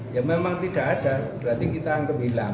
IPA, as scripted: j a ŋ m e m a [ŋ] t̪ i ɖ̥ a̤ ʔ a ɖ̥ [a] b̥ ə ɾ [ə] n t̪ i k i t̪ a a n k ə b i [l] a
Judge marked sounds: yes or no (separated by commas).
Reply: yes, yes, no, yes